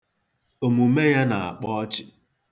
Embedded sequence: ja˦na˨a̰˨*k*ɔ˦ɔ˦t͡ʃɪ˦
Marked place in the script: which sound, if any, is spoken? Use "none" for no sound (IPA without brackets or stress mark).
k͡p